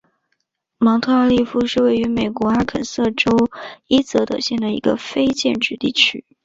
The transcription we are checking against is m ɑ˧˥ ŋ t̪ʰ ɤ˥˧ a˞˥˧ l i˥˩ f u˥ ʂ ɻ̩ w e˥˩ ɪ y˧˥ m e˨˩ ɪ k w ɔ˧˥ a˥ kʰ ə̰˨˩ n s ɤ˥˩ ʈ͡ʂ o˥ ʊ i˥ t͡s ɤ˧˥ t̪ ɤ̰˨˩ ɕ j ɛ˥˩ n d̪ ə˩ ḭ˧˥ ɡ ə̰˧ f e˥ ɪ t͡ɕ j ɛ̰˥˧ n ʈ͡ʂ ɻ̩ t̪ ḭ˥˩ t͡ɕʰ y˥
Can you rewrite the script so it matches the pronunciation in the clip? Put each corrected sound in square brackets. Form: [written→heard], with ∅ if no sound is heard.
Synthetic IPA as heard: m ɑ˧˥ ŋ t̪ʰ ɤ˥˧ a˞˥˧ l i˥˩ f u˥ ʂ ɻ̩ w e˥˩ ɪ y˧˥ m e˨˩ ɪ k w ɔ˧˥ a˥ kʰ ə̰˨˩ n s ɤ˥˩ ʈ͡ʂ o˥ ʊ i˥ t͡s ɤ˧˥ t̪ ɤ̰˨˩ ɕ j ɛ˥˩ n d̪ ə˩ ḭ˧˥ ɡ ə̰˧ f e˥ ɪ t͡ɕ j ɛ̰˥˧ n ʈ͡ʂ ɻ̩ t̪ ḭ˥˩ t͡ɕʰ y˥